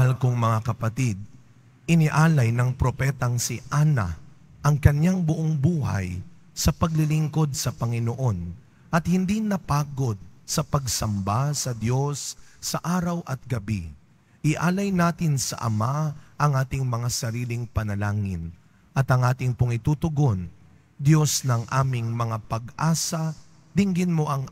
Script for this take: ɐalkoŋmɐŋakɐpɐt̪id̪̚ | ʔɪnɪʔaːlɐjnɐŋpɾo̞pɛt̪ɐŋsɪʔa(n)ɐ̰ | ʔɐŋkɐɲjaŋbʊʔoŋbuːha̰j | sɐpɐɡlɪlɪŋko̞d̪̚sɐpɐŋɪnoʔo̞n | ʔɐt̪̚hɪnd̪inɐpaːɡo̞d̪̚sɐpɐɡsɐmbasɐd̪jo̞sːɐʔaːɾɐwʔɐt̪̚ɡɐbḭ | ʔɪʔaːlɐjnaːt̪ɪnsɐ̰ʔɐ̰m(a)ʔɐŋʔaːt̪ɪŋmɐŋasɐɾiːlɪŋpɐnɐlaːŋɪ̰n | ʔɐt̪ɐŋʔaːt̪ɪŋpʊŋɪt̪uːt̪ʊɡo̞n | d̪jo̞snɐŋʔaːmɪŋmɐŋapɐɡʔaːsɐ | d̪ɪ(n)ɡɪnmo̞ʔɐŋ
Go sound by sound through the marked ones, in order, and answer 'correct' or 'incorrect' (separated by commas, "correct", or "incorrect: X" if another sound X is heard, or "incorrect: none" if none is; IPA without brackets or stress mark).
correct, correct, incorrect: ŋ